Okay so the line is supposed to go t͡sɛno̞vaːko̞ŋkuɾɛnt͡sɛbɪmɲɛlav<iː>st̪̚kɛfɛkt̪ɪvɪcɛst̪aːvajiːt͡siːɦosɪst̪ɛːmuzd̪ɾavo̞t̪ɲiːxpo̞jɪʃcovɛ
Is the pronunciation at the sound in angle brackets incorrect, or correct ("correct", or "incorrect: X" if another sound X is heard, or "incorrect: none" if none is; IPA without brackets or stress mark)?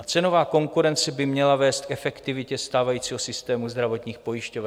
incorrect: ɛː